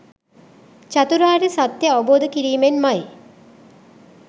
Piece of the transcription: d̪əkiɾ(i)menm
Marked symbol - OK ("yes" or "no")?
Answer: no